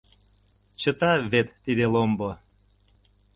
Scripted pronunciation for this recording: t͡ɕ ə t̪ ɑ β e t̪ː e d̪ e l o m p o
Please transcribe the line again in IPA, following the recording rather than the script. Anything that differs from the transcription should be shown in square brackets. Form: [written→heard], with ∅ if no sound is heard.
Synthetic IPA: t͡ɕ ə t̪ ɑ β e t̪ː [e→i] d̪ e l o m [p→b] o